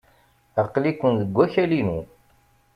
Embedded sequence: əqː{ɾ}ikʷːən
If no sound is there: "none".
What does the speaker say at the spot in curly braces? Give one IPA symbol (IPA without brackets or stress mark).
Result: l